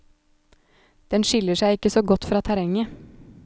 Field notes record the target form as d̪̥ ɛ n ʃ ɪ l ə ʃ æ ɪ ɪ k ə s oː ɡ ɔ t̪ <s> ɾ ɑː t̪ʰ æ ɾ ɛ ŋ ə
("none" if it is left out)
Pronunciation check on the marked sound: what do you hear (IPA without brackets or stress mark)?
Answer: f